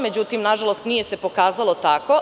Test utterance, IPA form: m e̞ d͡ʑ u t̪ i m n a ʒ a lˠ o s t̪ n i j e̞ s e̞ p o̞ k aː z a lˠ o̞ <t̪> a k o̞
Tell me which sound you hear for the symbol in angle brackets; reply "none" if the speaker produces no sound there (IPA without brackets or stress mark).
t̪